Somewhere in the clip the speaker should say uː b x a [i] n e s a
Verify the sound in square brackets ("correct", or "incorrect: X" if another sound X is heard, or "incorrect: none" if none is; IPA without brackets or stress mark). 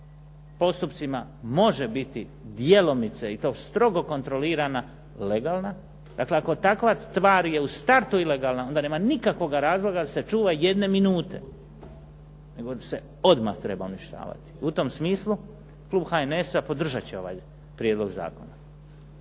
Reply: incorrect: e